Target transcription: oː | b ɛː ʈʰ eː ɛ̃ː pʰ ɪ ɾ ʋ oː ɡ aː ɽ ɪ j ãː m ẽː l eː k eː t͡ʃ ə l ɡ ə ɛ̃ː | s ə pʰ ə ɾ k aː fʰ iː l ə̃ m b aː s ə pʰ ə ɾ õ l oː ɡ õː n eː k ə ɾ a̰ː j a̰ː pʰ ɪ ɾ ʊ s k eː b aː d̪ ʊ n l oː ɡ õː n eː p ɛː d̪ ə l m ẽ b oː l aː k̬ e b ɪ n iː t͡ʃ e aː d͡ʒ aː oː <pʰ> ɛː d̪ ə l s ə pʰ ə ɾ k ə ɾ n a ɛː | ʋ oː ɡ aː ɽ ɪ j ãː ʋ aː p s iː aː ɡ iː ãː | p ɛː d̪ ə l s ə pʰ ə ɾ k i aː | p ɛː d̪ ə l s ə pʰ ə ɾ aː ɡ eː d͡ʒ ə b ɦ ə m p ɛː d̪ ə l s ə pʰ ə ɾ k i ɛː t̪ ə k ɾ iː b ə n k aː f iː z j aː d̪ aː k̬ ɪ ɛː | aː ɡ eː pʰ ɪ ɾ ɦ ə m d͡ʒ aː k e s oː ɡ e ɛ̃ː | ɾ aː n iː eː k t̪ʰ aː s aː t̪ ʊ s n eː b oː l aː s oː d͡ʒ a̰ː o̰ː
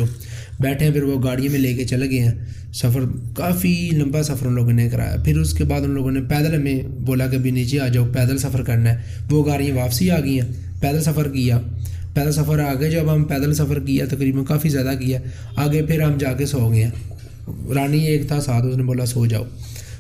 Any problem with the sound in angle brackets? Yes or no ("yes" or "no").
yes